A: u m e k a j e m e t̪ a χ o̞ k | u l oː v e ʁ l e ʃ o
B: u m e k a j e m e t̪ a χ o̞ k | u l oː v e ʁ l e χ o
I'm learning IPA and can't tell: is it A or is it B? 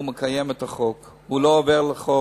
B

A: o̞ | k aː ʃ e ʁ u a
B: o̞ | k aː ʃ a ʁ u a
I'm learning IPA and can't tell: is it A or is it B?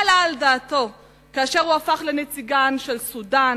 A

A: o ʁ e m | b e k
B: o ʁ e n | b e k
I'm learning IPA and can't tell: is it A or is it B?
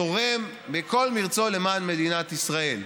A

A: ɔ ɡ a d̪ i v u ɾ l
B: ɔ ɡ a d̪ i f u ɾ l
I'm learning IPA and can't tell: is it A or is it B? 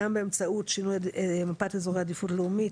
B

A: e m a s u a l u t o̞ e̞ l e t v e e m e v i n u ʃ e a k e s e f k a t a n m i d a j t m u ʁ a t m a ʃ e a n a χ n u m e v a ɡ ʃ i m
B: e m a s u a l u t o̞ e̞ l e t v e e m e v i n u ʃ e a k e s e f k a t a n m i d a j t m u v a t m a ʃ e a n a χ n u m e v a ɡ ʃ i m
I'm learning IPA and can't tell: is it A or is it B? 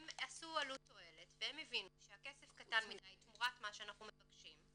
A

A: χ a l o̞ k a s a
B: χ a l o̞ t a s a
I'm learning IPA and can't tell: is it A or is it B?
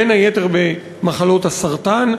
B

